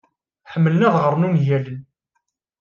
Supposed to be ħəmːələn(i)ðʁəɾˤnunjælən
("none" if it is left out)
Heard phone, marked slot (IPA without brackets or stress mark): æ